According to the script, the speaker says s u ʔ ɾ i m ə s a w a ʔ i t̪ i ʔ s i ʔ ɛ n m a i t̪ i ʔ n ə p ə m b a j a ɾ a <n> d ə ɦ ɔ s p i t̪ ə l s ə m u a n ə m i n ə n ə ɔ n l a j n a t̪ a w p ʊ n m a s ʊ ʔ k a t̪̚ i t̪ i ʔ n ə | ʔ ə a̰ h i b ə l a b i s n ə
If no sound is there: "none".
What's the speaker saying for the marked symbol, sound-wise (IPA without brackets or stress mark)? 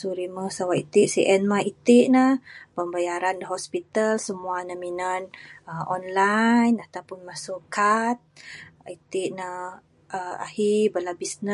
n